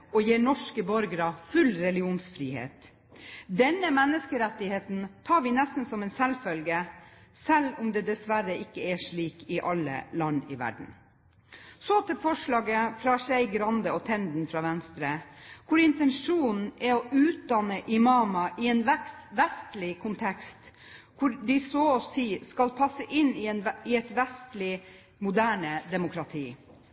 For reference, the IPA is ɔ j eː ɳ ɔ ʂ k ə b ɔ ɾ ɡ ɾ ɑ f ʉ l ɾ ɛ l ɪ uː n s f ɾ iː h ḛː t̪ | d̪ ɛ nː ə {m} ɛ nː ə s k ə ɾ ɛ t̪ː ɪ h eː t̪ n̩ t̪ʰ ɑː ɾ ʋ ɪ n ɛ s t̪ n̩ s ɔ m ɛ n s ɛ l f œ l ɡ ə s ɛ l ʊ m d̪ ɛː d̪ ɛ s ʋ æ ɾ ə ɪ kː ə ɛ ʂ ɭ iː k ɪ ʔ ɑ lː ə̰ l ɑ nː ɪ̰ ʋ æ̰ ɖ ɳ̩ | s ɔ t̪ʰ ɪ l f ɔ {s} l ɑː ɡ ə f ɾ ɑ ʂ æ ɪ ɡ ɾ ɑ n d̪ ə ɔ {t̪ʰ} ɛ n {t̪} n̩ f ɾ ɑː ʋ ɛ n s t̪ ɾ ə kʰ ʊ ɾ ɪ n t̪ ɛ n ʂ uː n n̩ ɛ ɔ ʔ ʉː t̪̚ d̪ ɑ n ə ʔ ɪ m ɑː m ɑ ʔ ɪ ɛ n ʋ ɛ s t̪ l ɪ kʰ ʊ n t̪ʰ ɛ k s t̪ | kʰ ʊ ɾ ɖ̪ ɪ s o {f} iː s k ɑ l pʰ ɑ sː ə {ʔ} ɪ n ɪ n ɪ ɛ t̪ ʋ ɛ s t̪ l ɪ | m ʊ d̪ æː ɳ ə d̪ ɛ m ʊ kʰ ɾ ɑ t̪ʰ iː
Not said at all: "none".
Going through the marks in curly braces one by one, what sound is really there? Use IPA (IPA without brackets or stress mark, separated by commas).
m, ʂ, t̪ʰ, d̪, s, ʔ